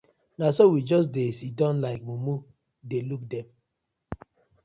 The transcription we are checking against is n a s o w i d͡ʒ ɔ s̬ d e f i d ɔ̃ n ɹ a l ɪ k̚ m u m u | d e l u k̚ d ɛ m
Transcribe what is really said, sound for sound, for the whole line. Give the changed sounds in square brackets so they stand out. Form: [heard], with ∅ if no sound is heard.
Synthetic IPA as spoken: n a s o w i d͡ʒ ɔ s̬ d e [s] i d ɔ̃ n [l] a [∅] ɪ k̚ m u m u | d e l u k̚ d ɛ m